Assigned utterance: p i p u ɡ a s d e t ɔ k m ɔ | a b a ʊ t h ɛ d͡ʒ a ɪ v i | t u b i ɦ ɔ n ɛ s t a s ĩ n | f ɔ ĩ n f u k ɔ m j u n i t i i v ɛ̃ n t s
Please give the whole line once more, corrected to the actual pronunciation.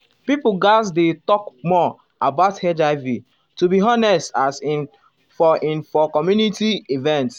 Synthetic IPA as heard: p i p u ɡ a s d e t ɔ k m ɔ | a b a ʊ t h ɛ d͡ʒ a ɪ v i | t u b i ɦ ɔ n ɛ s t a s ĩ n | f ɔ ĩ n f ɔ k ɔ m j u n i t i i v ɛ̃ n t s

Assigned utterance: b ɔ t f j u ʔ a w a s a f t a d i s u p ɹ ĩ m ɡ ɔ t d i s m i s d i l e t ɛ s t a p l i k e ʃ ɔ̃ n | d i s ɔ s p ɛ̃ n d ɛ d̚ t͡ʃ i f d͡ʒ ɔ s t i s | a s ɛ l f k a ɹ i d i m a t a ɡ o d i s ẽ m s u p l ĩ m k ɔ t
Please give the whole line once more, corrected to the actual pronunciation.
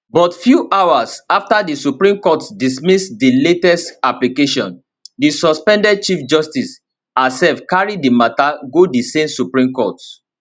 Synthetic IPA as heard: b ɔ t f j u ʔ a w a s a f t a d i s u p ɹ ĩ m k ɔ t d i s m i s d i l e t ɛ s t a p l i k e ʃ ɔ̃ n | d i s ɔ s p ɛ̃ n d ɛ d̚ t͡ʃ i f d͡ʒ ɔ s t i s | a s ɛ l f k a ɹ i d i m a t a ɡ o d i s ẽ m s u p ɹ ĩ m k ɔ t

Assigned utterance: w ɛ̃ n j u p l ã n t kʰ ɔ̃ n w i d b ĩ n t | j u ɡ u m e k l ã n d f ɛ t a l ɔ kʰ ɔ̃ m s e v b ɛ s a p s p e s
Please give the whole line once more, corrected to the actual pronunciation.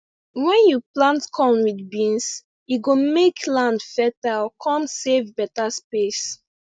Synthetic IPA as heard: w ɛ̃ n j u p l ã n t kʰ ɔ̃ n w i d b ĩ n s | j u ɡ o m e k l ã n d f ɛ t a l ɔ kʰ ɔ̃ m s e v b ɛ t a s p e s

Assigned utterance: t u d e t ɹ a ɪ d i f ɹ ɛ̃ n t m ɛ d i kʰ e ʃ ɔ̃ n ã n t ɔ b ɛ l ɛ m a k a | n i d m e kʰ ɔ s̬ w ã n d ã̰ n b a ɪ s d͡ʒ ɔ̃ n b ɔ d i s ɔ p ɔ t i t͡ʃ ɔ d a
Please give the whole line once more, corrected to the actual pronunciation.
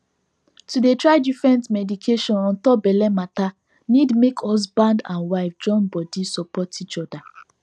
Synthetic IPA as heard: t u d e t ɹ a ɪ d i f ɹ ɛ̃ n t m ɛ d i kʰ e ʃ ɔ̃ n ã n t ɔ b ɛ l ɛ m a t a | n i d m e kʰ ɔ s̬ b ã n d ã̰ n w a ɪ f d͡ʒ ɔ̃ n b ɔ d i s ɔ p ɔ t i t͡ʃ ɔ d a

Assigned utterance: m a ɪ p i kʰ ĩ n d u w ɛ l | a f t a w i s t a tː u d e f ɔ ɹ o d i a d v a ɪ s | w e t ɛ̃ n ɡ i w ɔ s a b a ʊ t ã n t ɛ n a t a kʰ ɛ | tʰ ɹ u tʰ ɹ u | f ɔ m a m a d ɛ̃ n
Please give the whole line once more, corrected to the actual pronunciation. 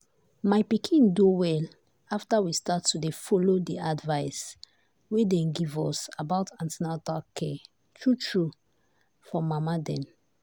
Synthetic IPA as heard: m a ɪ p i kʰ ĩ n d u w ɛ l | a f t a w i s t a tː u d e f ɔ l o d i a d v a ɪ s | w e d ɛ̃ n ɡ i v ɔ s a b a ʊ t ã n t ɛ n a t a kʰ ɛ | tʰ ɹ u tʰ ɹ u | f ɔ m a m a d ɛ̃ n

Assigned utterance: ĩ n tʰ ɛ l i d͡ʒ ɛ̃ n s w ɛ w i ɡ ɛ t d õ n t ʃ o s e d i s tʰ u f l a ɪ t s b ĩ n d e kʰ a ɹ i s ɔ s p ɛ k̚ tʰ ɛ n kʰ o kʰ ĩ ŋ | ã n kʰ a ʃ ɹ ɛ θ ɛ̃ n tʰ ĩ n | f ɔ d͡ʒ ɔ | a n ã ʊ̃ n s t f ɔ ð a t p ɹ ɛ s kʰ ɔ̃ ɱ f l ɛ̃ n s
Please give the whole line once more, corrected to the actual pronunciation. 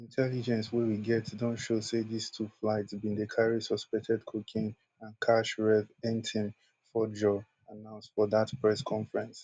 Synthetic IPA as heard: ĩ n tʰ ɛ l i d͡ʒ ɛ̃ n s w ɛ w i ɡ ɛ t d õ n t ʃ o s e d i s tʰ u f l a ɪ t s b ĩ n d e kʰ a ɹ i s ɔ s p ɛ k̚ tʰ ɛ d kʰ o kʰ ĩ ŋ | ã n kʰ a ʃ ɹ ɛ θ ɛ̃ n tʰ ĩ n | f ɔ d͡ʒ ɔ | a n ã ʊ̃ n s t f ɔ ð a t p ɹ ɛ s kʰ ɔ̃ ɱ f ɹ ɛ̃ n s

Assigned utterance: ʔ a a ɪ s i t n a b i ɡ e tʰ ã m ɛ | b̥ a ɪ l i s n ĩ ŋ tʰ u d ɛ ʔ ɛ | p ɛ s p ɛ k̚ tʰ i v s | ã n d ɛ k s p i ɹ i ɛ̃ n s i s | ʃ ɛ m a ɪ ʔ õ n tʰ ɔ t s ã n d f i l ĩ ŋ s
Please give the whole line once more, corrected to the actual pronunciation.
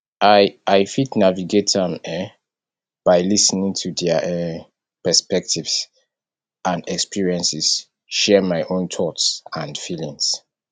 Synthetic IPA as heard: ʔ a a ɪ f i t n a v i ɡ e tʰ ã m ɛ | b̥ a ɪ l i s n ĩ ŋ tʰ u d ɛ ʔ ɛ | p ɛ s p ɛ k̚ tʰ i v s | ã n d ɛ k s p i ɹ i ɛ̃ n s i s | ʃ ɛ m a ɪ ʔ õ n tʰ ɔ t s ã n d f i l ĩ ŋ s

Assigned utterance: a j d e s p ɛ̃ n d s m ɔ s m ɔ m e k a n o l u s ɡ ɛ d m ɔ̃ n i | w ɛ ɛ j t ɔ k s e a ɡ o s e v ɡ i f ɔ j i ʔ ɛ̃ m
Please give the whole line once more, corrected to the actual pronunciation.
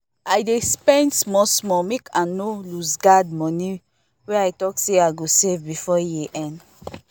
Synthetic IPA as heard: a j d e s p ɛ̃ n d s m ɔ s m ɔ m e k a n o l u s ɡ a d m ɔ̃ n i | w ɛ a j t ɔ k s e a ɡ o s e v b i f ɔ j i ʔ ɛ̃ n

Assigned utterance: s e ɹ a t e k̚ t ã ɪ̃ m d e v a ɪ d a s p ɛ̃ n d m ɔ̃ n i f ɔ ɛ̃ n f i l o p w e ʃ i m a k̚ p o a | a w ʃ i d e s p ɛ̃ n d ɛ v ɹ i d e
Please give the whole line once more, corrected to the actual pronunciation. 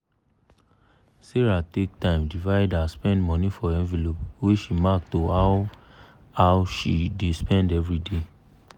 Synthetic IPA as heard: s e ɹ a t e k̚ t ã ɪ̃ m d i v a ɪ d a s p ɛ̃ n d m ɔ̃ n i f ɔ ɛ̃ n v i l o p w e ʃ i m a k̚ t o a | a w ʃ i d e s p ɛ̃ n d ɛ v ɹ i d e

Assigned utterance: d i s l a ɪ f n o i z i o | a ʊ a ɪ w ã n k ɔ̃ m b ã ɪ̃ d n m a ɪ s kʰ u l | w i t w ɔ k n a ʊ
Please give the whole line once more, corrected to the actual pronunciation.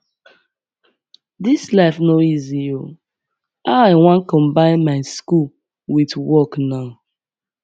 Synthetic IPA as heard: d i s l a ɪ f n o i z i o | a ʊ a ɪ w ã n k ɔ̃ m b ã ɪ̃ n m a ɪ s k u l | w i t w ɔ k n a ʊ

